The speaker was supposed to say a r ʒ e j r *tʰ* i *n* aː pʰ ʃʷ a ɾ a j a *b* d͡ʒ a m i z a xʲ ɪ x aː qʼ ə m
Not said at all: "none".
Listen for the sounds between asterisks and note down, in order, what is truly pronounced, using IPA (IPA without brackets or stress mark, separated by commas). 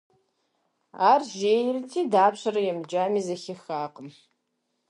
tʰ, d, m